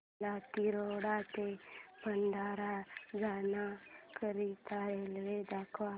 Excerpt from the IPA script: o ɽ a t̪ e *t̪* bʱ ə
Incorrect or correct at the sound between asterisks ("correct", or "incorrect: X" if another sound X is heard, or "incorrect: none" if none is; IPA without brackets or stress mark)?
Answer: incorrect: none